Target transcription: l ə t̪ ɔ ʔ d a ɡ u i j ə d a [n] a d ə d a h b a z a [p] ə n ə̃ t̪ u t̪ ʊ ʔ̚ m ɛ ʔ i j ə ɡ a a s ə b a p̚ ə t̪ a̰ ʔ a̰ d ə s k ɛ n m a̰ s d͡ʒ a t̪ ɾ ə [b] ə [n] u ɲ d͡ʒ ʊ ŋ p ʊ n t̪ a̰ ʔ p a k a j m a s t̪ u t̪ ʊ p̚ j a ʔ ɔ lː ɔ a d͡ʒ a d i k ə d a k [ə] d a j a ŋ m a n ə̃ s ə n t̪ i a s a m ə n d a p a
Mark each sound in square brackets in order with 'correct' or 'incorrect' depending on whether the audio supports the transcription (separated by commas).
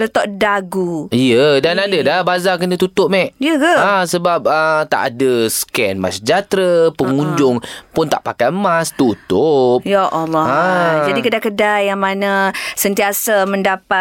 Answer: correct, incorrect, incorrect, incorrect, correct